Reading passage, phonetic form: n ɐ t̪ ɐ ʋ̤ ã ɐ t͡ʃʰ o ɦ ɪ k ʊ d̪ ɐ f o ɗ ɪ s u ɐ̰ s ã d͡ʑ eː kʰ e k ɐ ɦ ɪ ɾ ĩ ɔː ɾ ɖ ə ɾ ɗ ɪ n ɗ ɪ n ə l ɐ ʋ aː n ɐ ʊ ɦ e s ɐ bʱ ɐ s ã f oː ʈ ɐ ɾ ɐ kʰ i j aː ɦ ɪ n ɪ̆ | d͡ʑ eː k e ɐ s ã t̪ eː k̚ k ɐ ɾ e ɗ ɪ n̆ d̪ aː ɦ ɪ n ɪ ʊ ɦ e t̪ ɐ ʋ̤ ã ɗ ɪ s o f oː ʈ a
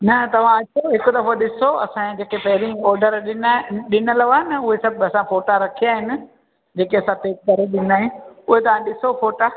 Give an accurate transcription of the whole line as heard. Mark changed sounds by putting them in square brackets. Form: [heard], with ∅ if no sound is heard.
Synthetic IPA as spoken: n ɐ t̪ ɐ ʋ̤ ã ɐ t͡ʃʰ o ɦ ɪ k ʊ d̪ ɐ f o ɗ ɪ s [o] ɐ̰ s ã d͡ʑ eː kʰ e [p] ɐ ɦ ɪ ɾ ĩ ɔː ɾ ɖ ə ɾ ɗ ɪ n ɗ ɪ n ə l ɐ ʋ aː n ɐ ʊ ɦ e s ɐ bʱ ɐ s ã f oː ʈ [a] ɾ ɐ kʰ i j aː ɦ ɪ n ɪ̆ | d͡ʑ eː k e ɐ s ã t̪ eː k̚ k ɐ ɾ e ɗ ɪ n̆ d̪ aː ɦ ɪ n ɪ ʊ ɦ e t̪ ɐ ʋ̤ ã ɗ ɪ s o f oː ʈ a